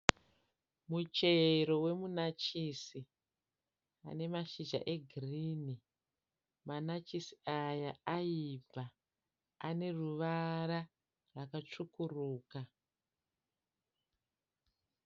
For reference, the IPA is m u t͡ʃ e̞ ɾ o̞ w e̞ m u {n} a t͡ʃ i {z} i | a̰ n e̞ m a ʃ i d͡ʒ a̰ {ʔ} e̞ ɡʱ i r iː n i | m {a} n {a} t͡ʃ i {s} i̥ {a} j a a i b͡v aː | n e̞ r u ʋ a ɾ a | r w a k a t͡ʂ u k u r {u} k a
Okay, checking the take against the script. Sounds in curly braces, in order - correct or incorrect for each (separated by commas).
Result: correct, incorrect, correct, correct, correct, correct, correct, incorrect